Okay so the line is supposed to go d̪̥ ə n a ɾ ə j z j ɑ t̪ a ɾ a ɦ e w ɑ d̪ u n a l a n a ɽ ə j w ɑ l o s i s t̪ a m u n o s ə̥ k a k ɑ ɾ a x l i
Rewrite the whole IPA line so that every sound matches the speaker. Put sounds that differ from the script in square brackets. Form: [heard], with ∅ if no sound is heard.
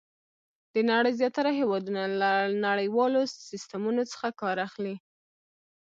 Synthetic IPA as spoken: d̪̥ ə n a [ɽ] ə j z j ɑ t̪ a ɾ a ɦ e w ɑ d̪ u n a l a n a ɽ ə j w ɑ l o s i s t̪ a m u n o [t͡s] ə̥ [x] a k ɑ ɾ a x l i